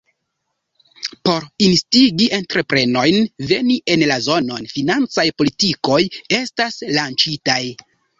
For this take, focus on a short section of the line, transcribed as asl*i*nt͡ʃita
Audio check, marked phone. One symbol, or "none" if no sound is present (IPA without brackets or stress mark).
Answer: a